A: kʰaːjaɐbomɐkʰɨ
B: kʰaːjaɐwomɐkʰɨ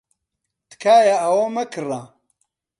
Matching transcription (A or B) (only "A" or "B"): B